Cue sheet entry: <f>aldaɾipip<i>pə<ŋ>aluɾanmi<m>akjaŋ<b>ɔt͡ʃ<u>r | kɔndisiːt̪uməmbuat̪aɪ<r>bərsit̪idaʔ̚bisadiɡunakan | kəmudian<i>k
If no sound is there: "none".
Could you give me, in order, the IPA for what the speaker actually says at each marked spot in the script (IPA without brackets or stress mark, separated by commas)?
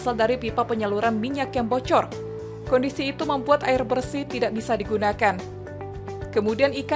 s, a, ɲ, ɲ, b, ɔ, r, i